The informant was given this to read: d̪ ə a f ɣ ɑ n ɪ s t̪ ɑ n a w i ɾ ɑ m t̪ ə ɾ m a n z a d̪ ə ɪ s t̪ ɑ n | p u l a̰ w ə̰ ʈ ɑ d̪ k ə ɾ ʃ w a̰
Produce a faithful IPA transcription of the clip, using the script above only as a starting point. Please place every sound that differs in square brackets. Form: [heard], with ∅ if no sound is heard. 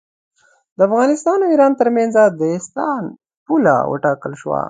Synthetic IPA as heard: d̪ ə a f ɣ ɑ n ɪ s t̪ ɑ n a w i ɾ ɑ [n] t̪ ə ɾ m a n z a d̪ ə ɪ s t̪ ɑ n | p u l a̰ w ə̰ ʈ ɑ [∅] k ə [l] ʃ w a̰